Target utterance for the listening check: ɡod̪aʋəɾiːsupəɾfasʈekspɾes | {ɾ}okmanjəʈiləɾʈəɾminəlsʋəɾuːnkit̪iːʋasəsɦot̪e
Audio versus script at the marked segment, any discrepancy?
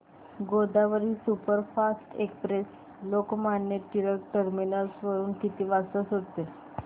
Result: yes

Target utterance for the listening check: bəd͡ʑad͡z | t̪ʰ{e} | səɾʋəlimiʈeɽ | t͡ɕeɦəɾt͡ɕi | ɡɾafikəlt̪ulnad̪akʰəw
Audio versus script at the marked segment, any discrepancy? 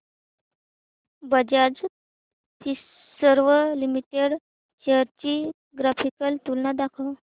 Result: yes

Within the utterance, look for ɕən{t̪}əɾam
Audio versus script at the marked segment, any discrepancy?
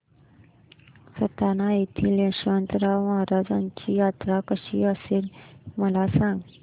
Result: no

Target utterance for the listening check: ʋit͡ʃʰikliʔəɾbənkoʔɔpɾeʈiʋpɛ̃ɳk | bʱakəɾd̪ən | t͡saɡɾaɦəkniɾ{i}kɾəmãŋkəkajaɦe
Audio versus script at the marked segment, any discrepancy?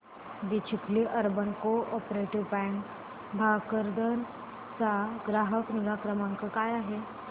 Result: yes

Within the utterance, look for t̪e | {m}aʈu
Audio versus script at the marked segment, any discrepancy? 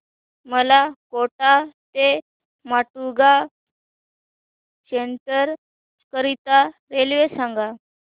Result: no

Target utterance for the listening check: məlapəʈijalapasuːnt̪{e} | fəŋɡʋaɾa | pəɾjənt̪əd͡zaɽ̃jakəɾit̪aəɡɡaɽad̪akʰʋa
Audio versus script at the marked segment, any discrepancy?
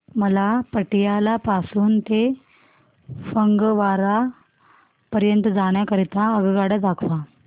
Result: no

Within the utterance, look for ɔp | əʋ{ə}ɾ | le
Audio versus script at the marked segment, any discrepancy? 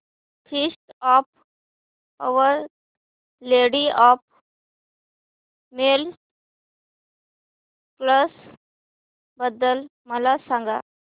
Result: no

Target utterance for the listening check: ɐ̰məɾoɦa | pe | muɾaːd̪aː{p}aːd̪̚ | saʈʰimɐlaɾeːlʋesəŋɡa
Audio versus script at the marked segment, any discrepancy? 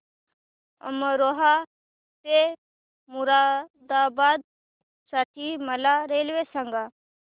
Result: yes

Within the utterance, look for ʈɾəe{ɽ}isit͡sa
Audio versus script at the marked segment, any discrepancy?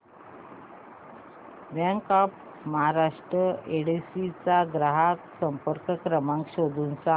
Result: no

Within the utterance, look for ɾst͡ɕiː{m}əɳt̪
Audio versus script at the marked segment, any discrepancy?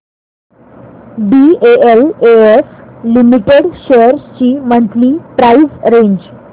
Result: no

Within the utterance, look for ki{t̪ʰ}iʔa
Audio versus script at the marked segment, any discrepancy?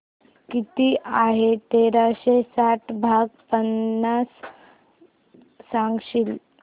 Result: yes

